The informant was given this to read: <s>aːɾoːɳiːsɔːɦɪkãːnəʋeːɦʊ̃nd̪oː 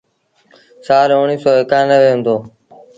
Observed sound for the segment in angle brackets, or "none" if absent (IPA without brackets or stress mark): s